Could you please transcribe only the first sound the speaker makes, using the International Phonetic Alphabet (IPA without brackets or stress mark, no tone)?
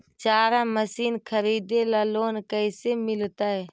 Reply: t͡ʃ